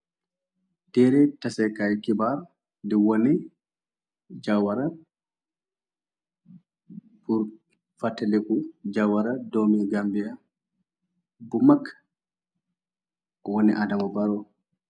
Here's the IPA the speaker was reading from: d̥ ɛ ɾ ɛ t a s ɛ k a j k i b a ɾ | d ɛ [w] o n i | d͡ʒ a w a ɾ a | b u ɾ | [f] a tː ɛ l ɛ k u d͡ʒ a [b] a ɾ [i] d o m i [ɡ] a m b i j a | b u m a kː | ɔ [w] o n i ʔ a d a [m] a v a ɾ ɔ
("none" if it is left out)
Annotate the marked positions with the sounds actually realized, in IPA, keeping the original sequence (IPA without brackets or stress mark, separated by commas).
w, f, w, a, ɡ, w, m